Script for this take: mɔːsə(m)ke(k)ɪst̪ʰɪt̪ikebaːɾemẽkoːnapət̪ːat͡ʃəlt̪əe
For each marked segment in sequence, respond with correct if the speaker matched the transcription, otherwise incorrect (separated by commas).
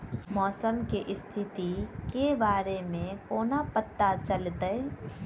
correct, incorrect